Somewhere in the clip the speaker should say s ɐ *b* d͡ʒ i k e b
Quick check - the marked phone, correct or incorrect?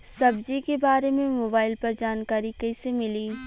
correct